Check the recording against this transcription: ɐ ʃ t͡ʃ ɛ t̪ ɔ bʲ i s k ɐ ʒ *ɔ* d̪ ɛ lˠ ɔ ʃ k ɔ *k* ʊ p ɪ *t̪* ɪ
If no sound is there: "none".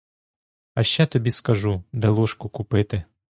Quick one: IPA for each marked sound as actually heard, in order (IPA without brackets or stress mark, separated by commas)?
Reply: u, k, t̪